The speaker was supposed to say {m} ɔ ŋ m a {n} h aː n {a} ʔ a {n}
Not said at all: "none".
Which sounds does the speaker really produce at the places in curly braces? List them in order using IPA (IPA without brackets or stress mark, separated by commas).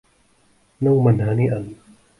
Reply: n, n, i, n